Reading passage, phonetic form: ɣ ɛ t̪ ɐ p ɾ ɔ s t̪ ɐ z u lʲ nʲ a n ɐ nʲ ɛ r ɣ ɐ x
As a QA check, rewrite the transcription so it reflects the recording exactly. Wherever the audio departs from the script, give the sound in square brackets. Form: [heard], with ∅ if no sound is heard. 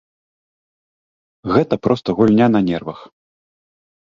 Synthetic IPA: ɣ ɛ t̪ ɐ p ɾ ɔ s t̪ ɐ [ɣ] u lʲ nʲ a n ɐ nʲ ɛ r [v] ɐ x